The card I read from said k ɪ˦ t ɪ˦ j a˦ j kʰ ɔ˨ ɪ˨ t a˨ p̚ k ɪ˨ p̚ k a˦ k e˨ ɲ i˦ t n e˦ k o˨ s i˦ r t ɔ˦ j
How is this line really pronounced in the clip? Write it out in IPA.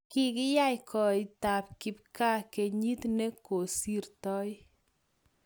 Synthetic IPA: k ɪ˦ k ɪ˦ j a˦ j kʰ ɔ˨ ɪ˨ t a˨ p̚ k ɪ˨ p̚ k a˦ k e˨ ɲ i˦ t n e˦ k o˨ s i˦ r t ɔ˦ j